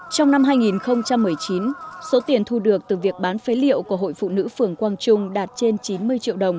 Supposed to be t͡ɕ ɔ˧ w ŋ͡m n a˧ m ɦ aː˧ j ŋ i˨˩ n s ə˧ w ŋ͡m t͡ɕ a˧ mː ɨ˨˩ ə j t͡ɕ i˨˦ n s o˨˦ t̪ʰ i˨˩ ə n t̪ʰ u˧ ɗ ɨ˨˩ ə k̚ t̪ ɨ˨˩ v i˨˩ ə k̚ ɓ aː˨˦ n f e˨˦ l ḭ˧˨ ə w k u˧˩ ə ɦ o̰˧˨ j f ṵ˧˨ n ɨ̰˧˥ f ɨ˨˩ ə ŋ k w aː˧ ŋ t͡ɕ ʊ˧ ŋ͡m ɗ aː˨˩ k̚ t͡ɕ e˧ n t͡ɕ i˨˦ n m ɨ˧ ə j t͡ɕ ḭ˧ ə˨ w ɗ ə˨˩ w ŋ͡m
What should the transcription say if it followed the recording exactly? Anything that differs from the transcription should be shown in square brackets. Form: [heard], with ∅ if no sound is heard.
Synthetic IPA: t͡ɕ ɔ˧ w ŋ͡m n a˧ m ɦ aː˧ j ŋ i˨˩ n [x] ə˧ w ŋ͡m t͡ɕ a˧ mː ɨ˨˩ ə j t͡ɕ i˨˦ n s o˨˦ [t̪] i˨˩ ə n t̪ʰ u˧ ɗ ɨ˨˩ ə k̚ t̪ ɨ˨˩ v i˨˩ ə k̚ ɓ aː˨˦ n f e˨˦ l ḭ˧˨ ə w k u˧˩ ə ɦ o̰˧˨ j f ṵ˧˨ n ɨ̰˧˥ f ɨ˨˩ ə ŋ k w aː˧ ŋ t͡ɕ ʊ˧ ŋ͡m ɗ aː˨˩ [t̚] t͡ɕ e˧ n t͡ɕ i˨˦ n m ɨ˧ ə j t͡ɕ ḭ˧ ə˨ w ɗ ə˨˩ w ŋ͡m

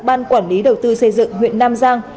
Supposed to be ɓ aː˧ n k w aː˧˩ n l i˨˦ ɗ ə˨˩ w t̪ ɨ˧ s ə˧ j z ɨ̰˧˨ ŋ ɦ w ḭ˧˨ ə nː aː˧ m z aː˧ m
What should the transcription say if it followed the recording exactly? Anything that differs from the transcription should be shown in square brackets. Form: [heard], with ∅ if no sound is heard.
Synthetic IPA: ɓ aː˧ n k w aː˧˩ n l i˨˦ ɗ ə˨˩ w t̪ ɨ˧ s ə˧ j z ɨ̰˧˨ ŋ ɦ w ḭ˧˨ ə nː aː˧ m z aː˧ [ŋ]

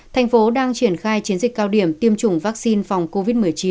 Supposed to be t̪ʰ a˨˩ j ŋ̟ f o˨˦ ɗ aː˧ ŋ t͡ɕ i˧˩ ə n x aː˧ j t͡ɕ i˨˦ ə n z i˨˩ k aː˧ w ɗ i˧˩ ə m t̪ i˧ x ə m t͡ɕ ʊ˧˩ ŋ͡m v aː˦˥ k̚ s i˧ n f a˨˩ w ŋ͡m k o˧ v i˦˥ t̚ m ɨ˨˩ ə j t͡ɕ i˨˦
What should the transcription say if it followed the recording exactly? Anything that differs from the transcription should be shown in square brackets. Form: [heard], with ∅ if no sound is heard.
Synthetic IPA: t̪ʰ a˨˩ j ŋ̟ f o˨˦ ɗ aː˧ ŋ t͡ɕ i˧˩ ə n x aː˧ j t͡ɕ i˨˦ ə n z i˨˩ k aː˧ w ɗ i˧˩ ə m t̪ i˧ [∅] ə m t͡ɕ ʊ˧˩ ŋ͡m v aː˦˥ k̚ s i˧ n f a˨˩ w ŋ͡m k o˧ v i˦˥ t̚ m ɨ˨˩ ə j t͡ɕ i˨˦

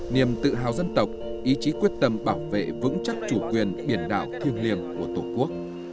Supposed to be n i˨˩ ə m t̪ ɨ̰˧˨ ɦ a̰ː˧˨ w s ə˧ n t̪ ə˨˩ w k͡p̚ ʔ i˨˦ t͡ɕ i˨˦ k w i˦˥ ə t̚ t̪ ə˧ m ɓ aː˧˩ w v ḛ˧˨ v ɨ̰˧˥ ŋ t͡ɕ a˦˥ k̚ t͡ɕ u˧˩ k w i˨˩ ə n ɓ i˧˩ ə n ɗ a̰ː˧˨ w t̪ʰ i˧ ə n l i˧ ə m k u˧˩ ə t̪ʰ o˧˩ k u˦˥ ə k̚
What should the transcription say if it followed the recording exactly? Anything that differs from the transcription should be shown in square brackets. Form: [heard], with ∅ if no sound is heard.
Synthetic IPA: n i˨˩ ə m t̪ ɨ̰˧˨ ɦ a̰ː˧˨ w [z] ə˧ n t̪ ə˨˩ w k͡p̚ ʔ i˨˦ t͡ɕ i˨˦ k w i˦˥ ə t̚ t̪ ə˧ m ɓ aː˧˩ w v ḛ˧˨ v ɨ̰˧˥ ŋ t͡ɕ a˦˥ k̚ t͡ɕ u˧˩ k w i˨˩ ə n ɓ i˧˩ ə n ɗ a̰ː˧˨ w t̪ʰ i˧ ə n l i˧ ə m k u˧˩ ə [t̪] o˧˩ k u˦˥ ə k̚

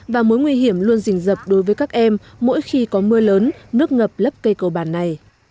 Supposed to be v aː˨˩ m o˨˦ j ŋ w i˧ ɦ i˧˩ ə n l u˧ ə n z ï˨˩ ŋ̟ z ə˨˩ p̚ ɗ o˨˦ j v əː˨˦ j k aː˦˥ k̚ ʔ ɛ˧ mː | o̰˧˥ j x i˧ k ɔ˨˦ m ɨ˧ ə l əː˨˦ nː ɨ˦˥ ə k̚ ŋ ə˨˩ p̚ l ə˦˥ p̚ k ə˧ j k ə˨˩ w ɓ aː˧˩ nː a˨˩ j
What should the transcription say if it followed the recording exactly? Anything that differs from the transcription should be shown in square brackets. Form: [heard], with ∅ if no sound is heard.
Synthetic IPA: v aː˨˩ m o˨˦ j ŋ w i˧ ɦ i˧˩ ə [m] l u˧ ə n z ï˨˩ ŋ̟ z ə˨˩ p̚ ɗ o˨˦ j v əː˨˦ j k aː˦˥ k̚ ʔ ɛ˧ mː | o̰˧˥ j x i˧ k ɔ˨˦ m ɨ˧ ə l əː˨˦ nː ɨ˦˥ ə k̚ ŋ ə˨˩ p̚ l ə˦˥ p̚ k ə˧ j k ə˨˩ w ɓ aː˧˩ nː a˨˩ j

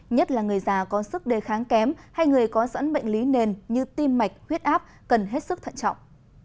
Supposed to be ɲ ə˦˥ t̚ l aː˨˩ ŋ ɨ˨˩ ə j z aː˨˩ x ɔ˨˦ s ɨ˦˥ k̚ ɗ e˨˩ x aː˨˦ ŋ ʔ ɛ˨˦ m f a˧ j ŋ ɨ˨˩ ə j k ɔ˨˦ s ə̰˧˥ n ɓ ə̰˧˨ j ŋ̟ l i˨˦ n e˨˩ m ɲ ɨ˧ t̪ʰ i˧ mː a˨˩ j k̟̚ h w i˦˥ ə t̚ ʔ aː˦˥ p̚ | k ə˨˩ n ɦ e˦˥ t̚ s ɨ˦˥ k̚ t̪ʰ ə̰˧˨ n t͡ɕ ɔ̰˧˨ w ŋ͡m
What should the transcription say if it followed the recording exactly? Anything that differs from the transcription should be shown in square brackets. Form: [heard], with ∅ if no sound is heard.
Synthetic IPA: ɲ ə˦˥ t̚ l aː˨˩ ŋ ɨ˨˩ ə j z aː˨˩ [k] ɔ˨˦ s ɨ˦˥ k̚ ɗ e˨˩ x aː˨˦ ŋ [k] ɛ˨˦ m [h] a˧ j ŋ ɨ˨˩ ə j k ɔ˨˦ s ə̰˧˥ n ɓ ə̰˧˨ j ŋ̟ l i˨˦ n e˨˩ [n] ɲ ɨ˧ [t̪] i˧ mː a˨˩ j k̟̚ h w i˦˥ ə t̚ ʔ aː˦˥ p̚ | k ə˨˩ n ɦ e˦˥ t̚ s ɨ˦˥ k̚ t̪ʰ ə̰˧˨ n t͡ɕ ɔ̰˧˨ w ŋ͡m

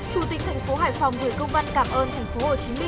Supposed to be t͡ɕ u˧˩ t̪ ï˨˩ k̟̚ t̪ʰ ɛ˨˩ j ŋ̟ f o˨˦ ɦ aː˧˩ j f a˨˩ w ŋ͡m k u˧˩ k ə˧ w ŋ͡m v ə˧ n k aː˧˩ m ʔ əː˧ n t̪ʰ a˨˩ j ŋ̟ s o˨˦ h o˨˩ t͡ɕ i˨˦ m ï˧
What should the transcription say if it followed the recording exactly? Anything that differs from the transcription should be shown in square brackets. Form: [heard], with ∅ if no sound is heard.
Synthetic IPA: t͡ɕ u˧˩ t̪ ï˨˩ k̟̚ t̪ʰ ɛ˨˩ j ŋ̟ f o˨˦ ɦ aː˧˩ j f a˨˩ w ŋ͡m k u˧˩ k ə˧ w ŋ͡m v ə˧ n k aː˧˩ m ʔ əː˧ n t̪ʰ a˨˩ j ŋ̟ [f] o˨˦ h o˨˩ t͡ɕ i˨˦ m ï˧

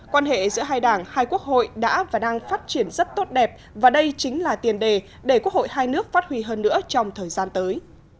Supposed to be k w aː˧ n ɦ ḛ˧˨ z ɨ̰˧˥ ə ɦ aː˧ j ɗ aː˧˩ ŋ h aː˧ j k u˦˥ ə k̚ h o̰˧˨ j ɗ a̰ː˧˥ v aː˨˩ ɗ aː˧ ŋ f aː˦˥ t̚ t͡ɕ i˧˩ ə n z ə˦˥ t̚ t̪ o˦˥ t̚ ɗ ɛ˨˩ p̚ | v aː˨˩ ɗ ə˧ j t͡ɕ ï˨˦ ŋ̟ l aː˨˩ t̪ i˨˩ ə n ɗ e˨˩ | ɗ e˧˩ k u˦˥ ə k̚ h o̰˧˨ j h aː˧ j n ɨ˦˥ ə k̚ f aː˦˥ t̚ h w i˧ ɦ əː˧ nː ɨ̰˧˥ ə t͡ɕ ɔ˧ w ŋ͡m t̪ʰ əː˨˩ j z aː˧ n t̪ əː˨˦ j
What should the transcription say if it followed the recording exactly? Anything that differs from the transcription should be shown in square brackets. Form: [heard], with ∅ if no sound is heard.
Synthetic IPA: k w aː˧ n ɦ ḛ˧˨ z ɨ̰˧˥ ə ɦ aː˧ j ɗ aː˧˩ ŋ h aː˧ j k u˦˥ ə k̚ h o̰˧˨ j ɗ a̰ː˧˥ v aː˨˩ ɗ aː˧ ŋ f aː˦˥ t̚ t͡ɕ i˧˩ ə n z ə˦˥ t̚ t̪ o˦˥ t̚ ɗ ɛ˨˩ p̚ | v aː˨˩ ɗ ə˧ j t͡ɕ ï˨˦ ŋ̟ l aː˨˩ t̪ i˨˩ ə n ɗ e˨˩ | ɗ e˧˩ k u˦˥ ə k̚ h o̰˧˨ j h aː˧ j n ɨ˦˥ ə k̚ f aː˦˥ t̚ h w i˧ ɦ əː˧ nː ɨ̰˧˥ ə t͡ɕ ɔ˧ w ŋ͡m t̪ʰ əː˨˩ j z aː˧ n t̪ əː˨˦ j

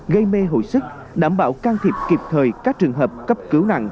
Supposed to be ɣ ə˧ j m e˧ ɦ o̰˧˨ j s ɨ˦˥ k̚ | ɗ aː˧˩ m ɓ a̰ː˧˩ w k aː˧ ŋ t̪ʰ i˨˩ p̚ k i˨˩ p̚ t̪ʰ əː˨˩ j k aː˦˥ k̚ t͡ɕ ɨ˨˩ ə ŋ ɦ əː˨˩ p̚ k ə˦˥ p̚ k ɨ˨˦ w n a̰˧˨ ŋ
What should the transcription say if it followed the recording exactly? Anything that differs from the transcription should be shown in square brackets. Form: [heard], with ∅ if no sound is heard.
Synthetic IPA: ɣ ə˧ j m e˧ ɦ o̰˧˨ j s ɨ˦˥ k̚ | ɗ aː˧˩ m ɓ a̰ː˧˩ w k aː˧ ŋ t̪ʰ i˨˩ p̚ k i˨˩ p̚ t̪ʰ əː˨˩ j k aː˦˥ k̚ t͡ɕ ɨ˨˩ ə ŋ ɦ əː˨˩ p̚ k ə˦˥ p̚ k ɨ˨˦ w n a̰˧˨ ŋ

